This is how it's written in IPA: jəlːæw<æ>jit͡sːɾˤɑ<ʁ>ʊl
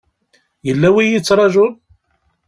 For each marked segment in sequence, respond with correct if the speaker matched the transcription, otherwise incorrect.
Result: incorrect: i, incorrect: ʒ

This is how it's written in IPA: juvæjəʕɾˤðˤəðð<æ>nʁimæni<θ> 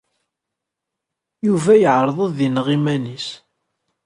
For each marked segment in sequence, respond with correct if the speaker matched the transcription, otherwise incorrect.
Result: incorrect: i, incorrect: s

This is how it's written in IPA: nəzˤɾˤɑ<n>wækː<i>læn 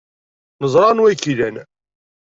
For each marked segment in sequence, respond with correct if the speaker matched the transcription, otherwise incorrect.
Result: correct, correct

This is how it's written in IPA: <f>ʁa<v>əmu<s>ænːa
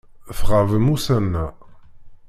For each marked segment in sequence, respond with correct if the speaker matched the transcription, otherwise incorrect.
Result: correct, correct, correct

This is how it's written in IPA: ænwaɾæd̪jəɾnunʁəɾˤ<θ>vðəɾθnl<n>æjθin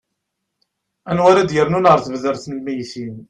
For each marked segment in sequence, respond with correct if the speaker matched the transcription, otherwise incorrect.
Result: correct, incorrect: m

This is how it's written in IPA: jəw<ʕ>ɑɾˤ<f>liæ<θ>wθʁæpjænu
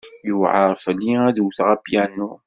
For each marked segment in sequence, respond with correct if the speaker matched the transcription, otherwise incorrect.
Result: correct, correct, incorrect: ð

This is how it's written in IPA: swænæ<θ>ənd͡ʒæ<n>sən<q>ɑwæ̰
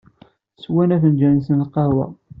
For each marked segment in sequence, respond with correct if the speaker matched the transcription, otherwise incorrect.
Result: correct, correct, correct

